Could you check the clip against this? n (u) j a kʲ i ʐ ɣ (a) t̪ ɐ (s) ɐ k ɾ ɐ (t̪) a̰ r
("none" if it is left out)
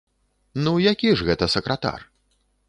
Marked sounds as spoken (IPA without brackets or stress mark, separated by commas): u, ɛ, s, t̪